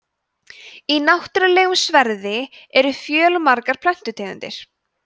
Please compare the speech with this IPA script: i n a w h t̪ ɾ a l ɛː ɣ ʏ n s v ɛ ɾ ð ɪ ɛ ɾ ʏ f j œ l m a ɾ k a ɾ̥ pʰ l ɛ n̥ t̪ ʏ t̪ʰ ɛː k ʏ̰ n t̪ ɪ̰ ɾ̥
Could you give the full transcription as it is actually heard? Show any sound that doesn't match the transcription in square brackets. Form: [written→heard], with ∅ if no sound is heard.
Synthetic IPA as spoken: i n a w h t̪ ɾ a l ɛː ɣ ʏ [n→m] s v ɛ ɾ ð ɪ ɛ ɾ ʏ f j [œ→œː] l m a ɾ k a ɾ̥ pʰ l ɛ n̥ t̪ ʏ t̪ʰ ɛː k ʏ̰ n t̪ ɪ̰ ɾ̥